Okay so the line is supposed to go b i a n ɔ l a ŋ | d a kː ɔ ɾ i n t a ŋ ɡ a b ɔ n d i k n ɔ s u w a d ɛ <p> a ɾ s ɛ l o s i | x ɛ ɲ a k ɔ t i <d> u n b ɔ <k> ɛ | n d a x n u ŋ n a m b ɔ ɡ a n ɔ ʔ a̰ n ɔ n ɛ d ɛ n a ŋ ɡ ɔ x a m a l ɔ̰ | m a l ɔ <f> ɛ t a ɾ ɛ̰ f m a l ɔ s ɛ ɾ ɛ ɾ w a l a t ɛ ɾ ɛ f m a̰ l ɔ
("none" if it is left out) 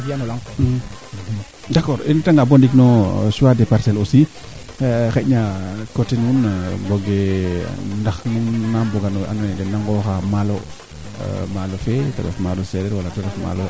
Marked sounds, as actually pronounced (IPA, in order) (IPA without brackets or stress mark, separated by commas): p, n, ɡ, f